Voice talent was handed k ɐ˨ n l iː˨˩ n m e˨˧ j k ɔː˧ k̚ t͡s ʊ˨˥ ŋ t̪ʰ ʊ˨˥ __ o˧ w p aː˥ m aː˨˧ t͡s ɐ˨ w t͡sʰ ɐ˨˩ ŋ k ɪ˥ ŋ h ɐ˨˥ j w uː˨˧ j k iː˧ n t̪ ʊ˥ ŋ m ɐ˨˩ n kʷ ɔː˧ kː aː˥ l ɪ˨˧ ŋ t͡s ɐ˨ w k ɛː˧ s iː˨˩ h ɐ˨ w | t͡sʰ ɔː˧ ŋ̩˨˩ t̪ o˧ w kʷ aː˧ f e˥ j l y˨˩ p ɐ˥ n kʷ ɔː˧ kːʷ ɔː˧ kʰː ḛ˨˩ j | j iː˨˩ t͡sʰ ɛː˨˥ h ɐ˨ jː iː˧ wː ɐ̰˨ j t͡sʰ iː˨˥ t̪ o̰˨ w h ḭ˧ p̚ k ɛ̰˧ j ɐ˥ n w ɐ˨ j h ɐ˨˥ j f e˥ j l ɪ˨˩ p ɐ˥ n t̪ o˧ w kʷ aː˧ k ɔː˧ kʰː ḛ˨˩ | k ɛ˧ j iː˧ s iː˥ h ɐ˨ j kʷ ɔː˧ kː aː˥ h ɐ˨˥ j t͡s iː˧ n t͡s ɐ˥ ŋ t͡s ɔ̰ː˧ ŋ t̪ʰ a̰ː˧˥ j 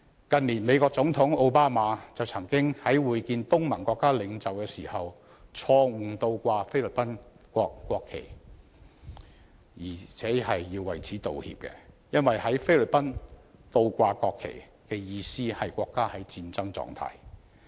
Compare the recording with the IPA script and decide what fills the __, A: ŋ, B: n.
A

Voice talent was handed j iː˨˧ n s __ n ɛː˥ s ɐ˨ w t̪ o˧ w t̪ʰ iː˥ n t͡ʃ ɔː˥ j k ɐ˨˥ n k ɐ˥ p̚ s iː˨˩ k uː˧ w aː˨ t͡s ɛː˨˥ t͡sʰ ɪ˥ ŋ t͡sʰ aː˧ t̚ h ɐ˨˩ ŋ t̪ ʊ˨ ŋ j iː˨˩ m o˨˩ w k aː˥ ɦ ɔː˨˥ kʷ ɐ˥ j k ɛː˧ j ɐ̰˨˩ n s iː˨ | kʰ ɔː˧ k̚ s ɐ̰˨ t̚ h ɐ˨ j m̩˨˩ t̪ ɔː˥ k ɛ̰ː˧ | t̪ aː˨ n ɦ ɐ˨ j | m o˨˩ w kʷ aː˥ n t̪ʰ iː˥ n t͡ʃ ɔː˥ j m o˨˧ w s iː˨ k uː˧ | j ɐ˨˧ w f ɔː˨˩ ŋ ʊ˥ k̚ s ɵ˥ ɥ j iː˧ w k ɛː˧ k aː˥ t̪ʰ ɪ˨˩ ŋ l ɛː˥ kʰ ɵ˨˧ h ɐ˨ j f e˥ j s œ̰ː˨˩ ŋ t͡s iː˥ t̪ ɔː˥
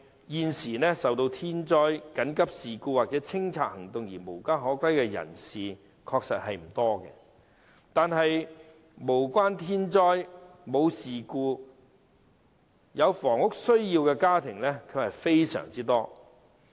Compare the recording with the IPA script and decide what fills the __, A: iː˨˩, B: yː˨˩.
A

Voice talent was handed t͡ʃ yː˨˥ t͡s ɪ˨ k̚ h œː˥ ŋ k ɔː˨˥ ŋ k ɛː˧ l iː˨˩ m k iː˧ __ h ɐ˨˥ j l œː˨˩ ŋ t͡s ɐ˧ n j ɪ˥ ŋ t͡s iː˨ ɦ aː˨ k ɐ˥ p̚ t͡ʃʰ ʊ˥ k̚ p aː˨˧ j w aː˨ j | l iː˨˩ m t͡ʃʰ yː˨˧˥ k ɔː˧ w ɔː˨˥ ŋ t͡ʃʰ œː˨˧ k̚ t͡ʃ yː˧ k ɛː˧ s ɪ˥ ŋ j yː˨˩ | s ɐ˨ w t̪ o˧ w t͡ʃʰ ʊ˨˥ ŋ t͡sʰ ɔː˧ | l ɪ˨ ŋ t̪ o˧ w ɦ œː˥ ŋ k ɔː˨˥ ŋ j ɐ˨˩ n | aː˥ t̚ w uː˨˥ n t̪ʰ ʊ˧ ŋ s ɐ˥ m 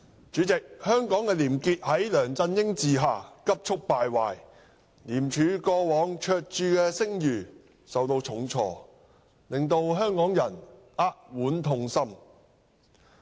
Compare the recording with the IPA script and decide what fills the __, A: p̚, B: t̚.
B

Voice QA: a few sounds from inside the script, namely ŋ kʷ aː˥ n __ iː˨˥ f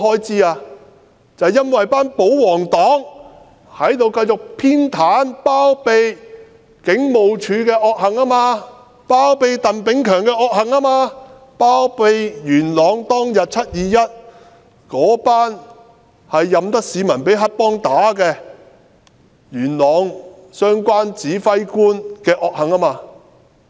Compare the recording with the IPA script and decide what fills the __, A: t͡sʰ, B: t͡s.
B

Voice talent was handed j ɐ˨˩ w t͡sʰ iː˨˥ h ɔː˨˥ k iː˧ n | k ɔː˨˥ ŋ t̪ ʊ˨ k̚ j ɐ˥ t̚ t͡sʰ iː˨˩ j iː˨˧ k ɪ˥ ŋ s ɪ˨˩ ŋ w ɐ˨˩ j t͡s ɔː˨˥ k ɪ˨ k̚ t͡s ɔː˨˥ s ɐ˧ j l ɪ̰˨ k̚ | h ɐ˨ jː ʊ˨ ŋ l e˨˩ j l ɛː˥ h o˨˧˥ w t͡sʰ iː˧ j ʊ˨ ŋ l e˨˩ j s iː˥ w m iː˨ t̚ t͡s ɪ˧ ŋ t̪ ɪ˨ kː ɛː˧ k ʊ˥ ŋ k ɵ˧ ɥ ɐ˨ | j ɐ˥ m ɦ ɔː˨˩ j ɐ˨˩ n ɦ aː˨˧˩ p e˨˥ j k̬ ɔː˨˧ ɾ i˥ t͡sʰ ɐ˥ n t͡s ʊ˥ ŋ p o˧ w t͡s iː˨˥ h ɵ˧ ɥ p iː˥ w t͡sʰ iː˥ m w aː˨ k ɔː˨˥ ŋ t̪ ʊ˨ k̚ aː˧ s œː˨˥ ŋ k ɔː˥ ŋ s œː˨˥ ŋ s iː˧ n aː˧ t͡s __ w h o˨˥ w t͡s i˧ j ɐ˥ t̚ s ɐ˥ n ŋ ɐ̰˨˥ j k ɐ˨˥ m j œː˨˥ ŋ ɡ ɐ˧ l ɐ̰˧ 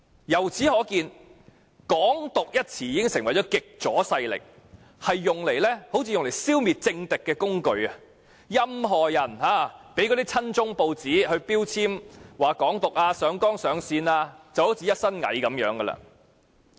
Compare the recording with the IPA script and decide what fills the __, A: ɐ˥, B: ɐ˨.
B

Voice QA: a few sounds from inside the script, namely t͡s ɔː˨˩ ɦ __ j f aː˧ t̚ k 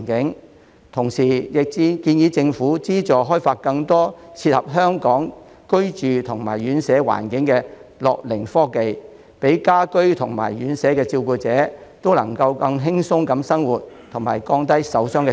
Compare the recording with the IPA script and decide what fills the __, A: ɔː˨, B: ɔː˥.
B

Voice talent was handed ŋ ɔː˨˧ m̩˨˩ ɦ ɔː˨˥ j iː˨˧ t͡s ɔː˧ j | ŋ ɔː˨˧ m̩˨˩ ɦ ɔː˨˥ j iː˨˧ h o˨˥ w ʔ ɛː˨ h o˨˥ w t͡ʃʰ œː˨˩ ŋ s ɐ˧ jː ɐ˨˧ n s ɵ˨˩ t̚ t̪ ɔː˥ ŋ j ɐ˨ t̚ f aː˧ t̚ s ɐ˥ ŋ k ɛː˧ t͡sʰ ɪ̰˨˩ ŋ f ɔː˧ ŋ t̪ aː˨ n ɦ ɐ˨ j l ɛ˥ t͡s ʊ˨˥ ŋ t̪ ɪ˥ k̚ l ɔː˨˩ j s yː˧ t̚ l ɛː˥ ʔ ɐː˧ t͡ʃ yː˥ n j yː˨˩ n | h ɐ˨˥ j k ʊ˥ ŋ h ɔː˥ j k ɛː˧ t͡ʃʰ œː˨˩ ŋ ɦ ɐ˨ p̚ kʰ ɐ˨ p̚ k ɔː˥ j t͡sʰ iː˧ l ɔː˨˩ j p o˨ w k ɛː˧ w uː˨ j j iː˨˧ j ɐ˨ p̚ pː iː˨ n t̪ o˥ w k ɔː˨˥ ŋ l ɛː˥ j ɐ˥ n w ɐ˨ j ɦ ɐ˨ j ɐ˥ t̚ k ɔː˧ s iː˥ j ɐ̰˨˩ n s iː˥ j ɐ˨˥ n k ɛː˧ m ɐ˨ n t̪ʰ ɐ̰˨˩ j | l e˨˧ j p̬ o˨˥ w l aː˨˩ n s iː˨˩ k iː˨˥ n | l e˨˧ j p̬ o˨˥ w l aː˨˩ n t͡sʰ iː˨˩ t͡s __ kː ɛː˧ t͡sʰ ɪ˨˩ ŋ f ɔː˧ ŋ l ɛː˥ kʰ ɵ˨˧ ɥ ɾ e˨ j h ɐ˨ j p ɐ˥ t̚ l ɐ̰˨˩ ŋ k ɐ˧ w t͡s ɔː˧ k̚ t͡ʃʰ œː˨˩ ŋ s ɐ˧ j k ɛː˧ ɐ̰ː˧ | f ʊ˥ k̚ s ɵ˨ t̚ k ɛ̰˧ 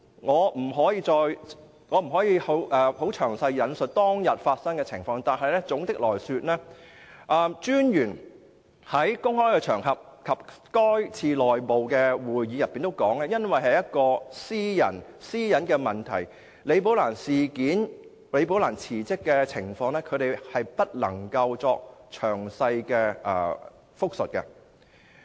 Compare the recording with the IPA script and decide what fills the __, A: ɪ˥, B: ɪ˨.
A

